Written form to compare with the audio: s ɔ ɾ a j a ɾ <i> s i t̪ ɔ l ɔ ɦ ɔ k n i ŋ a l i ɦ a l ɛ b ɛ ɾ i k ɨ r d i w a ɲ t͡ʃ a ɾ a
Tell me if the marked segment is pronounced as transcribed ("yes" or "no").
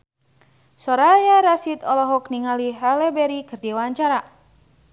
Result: no